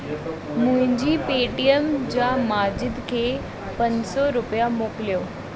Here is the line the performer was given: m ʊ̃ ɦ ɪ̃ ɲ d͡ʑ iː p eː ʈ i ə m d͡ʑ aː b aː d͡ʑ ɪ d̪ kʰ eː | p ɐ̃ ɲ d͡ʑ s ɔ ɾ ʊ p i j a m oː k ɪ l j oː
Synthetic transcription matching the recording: m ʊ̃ ɦ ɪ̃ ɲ d͡ʑ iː p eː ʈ i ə m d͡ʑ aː m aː d͡ʑ ɪ d̪ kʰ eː | p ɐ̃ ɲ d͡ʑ s ɔ ɾ ʊ p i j a m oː k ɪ l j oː